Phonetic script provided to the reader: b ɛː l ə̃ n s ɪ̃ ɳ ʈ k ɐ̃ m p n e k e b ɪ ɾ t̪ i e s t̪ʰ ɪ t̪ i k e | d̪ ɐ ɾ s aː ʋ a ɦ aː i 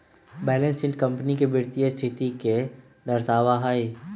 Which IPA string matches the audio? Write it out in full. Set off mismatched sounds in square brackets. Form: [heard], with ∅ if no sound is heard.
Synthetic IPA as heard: b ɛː l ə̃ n s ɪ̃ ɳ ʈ k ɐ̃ m p n [i] k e b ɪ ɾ t̪ i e s t̪ʰ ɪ t̪ i k e | d̪ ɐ ɾ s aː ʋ a ɦ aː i